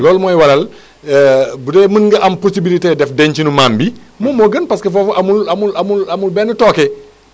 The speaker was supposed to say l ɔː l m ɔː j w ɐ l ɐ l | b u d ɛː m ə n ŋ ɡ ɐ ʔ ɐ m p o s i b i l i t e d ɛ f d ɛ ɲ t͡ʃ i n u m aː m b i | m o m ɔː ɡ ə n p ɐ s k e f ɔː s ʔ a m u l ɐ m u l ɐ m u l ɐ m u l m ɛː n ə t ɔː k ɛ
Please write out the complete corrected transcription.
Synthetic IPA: l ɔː l m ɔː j w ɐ l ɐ l | b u d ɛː m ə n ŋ ɡ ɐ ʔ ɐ m p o s i b i l i t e d ɛ f d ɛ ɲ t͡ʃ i n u m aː m b i | m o m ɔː ɡ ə n p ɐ s k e f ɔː f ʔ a m u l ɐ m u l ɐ m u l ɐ m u l b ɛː n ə t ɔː k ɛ